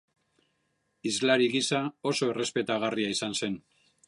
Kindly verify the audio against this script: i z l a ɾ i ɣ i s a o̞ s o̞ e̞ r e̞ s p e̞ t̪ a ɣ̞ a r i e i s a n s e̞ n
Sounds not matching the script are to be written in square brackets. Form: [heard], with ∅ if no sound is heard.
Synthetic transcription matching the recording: i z l a ɾ i ɣ i s a o̞ s o̞ e̞ r e̞ s p e̞ t̪ a ɣ̞ a r i [a] i s a n s e̞ n